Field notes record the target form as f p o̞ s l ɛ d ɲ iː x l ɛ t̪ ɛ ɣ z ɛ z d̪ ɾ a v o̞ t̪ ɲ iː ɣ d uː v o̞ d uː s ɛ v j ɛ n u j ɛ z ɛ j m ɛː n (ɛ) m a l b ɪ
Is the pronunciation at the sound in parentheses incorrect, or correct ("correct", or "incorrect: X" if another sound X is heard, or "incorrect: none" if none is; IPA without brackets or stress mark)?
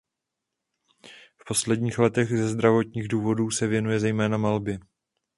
incorrect: a